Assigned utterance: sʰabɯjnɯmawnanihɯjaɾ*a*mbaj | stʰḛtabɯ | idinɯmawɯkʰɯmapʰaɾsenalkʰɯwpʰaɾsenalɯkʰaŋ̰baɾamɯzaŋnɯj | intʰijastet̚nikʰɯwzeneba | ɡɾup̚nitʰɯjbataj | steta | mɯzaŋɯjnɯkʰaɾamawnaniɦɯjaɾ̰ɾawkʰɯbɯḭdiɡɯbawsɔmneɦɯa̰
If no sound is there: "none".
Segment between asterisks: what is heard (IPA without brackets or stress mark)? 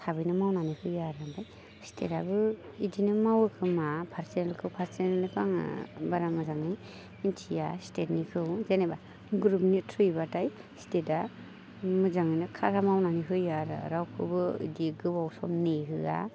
a